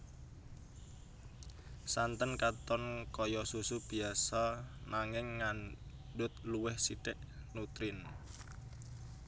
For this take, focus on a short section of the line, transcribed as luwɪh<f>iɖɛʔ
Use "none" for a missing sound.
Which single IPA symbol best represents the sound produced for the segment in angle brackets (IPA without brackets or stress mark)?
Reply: s